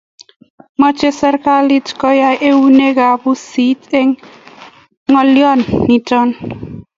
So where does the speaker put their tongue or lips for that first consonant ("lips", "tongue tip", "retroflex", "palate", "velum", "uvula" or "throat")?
lips